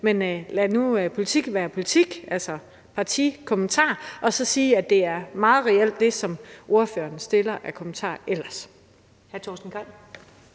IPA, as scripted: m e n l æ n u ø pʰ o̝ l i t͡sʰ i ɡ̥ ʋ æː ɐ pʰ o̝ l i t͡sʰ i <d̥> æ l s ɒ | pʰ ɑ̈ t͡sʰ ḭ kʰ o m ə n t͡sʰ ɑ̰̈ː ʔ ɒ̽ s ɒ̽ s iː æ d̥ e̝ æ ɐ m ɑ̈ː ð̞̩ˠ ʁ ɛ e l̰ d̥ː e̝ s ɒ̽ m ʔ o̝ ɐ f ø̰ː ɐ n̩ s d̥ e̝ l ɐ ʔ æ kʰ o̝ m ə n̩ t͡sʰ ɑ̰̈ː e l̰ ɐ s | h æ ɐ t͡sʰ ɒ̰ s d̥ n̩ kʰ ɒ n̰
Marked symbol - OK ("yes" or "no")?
no